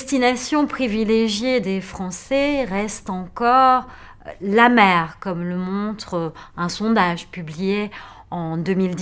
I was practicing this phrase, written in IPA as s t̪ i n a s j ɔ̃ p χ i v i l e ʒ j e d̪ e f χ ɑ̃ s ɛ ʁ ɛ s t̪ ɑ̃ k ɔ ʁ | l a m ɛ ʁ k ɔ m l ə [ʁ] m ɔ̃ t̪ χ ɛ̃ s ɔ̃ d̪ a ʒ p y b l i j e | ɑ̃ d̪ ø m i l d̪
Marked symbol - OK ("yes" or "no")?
no